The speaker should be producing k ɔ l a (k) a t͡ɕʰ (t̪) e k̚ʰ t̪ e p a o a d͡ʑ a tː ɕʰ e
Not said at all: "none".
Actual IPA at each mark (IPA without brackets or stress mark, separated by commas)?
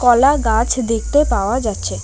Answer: ɡ, d̪